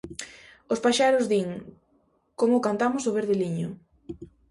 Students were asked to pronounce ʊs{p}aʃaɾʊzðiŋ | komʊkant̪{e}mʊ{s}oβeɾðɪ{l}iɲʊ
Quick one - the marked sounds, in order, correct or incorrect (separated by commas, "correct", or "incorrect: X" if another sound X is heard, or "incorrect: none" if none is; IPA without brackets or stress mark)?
correct, incorrect: a, correct, correct